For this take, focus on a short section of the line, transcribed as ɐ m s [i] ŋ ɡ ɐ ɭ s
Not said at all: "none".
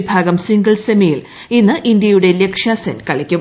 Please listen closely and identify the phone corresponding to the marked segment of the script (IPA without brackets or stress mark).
i